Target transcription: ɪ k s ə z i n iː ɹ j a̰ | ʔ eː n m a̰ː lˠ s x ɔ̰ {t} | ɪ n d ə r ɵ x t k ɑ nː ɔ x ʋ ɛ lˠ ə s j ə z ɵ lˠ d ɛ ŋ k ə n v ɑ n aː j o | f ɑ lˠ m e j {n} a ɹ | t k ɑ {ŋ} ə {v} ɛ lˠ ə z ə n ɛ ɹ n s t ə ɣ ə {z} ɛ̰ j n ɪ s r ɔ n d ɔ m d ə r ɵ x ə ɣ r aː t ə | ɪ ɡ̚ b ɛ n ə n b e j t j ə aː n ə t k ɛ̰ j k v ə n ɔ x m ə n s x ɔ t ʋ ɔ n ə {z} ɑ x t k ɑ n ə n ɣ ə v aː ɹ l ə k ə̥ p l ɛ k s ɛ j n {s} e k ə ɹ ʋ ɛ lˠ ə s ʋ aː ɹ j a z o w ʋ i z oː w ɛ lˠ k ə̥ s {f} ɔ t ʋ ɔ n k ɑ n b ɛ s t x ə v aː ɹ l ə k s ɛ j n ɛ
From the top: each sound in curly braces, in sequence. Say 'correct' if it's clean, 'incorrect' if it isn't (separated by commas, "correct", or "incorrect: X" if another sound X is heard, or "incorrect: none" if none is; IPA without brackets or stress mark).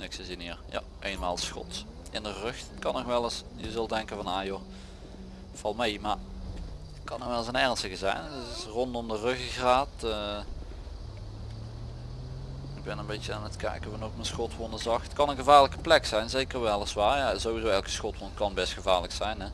correct, incorrect: m, incorrect: n, incorrect: ʋ, correct, correct, incorrect: z, incorrect: x